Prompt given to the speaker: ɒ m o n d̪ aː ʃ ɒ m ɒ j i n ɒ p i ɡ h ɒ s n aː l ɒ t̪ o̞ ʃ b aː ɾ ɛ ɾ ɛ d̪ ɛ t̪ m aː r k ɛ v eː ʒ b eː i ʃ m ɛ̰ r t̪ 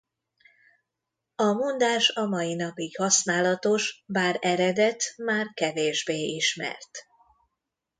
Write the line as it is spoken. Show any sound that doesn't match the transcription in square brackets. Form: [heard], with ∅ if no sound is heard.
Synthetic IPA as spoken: ɒ m o n d̪ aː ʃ ɒ m ɒ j i n ɒ p i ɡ h ɒ s n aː l ɒ t̪ o̞ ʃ b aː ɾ ɛ ɾ ɛ d̪ ɛ t̪ m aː r k ɛ v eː ʒ b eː i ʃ m ɛ̰ r t̪